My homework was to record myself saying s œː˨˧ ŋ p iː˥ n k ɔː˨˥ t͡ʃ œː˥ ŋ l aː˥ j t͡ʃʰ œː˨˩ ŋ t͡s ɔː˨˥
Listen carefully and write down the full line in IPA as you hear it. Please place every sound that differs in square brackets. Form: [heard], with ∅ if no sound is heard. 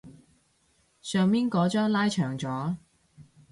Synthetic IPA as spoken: s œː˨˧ ŋ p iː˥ n k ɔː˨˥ t͡ʃ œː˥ ŋ l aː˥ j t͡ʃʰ œː˨˩ ŋ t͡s ɔː˨˥